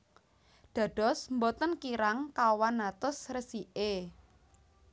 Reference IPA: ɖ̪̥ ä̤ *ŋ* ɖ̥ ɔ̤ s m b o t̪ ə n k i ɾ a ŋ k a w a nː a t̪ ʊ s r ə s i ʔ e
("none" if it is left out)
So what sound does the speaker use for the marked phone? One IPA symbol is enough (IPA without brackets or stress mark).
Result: none